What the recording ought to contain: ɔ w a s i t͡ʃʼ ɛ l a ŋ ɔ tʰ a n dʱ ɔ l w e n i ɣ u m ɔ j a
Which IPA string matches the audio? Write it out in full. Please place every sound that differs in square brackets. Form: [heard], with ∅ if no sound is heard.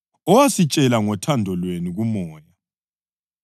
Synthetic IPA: ɔ w a s i t͡ʃʼ ɛ l a ŋ ɔ tʰ a n dʱ ɔ l w e n i ɣ u m [ɔː] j a